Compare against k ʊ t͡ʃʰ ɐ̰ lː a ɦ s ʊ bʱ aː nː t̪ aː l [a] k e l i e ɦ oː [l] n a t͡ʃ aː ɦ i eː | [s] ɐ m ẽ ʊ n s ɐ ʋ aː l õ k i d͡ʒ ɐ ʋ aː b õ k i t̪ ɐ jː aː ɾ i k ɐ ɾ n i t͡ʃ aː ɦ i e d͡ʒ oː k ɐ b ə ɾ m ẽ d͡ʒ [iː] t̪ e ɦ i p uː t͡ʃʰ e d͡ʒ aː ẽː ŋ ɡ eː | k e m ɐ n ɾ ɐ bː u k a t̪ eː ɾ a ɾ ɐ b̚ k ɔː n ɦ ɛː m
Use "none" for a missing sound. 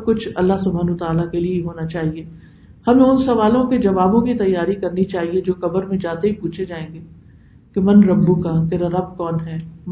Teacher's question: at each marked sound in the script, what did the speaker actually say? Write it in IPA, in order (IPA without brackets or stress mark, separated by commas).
a, none, h, aː